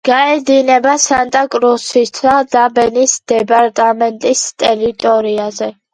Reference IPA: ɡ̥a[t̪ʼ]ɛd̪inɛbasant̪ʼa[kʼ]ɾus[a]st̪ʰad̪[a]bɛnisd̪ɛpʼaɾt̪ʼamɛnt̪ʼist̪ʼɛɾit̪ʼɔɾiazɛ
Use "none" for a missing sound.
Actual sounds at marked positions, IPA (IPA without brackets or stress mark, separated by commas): none, kʼ, i, a